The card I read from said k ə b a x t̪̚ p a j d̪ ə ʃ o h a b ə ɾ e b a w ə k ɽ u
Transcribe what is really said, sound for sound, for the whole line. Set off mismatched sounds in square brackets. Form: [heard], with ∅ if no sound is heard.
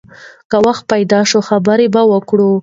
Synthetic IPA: k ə [w] a x t̪̚ p a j d̪ [ɑ] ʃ o [x] a b ə ɾ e b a w ə k ɽ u